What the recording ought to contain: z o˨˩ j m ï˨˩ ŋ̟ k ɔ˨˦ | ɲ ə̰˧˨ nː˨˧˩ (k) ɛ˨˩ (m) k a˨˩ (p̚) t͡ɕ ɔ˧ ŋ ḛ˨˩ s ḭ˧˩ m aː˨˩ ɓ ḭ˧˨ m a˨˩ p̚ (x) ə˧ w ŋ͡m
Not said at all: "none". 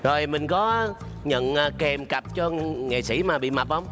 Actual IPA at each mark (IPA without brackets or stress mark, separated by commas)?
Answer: k, m, p̚, h